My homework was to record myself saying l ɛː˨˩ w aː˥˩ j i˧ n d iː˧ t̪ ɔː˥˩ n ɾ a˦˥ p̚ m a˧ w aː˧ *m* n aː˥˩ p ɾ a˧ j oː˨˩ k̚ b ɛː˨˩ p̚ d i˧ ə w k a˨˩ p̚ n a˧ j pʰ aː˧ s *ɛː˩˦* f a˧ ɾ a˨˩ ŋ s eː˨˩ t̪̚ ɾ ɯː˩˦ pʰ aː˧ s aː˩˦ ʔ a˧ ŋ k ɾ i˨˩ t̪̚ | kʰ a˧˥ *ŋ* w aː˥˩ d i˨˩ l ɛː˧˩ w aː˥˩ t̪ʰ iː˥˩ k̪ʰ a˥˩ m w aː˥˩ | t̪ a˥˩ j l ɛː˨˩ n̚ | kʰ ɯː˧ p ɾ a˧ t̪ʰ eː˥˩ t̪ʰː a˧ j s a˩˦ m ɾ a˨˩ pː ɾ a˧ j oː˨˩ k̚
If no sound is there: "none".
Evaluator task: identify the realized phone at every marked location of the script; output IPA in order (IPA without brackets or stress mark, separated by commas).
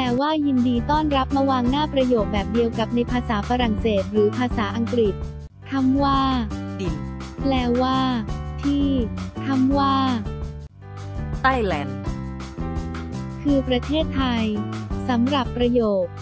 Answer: ŋ, aː˩˦, m